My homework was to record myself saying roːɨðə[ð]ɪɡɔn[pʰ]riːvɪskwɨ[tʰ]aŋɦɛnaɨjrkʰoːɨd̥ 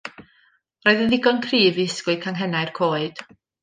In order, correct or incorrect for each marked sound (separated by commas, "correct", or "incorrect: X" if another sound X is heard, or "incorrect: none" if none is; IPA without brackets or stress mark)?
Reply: correct, incorrect: kʰ, incorrect: kʰ